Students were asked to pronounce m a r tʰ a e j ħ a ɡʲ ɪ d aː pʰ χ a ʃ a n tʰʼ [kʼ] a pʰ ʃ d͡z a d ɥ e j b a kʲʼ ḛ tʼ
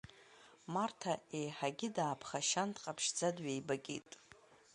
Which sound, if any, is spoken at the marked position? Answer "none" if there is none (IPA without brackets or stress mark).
qʼ